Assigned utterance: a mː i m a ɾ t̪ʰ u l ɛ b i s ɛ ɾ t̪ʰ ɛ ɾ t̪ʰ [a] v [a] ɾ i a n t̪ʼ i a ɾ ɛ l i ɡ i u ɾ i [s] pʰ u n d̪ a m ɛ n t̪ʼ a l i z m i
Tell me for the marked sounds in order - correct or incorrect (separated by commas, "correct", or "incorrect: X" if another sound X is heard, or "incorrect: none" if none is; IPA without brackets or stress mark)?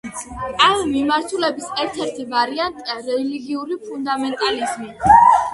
incorrect: i, correct, incorrect: none